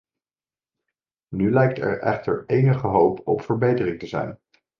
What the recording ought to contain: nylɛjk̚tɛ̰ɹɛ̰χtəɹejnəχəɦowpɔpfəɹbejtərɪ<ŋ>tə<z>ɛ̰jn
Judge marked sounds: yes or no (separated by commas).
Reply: yes, yes